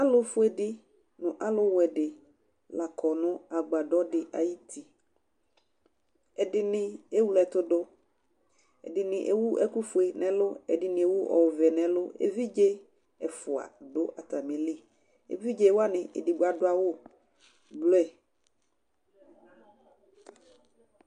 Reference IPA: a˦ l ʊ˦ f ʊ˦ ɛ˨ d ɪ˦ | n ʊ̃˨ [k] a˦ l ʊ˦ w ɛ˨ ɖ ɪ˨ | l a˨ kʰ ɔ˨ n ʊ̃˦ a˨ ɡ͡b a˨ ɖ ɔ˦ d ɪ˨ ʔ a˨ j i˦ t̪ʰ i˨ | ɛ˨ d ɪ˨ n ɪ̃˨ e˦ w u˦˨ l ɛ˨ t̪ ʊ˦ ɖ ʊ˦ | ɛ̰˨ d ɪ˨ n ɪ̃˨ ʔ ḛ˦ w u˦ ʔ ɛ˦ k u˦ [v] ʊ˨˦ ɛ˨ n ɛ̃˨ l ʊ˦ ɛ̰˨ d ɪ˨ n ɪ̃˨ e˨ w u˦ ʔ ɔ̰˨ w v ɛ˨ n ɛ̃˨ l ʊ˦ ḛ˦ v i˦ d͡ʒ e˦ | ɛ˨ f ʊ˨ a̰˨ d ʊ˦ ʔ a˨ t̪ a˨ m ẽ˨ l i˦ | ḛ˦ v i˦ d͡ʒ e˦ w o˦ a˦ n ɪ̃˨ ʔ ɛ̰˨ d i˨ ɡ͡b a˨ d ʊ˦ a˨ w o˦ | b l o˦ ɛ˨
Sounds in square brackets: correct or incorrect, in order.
incorrect: ʔ, incorrect: f

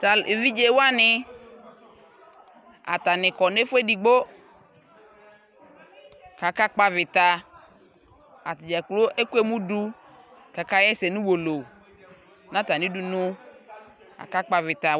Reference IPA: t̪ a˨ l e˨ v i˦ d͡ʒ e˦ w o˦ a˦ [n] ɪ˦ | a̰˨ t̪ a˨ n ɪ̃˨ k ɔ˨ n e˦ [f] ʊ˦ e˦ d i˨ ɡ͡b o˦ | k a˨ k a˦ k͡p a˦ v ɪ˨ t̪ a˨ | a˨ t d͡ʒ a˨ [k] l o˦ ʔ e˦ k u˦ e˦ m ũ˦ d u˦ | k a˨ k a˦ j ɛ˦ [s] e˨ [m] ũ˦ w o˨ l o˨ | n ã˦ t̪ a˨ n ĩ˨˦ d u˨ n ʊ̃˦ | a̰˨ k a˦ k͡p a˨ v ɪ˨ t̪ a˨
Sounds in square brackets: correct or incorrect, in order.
correct, correct, correct, correct, incorrect: n

